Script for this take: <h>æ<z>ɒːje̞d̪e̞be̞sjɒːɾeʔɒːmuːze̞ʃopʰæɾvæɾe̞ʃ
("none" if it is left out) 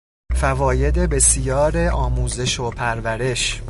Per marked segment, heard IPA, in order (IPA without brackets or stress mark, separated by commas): f, v